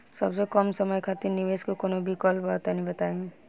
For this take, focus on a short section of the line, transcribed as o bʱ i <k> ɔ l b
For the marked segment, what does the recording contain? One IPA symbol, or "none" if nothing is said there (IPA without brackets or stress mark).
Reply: k